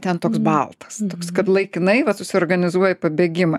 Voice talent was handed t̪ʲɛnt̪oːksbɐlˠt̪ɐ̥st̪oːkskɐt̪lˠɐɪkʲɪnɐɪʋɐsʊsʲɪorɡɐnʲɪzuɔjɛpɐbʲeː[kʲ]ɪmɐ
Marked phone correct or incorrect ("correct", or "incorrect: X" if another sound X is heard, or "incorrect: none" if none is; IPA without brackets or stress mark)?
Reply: incorrect: ɡʲ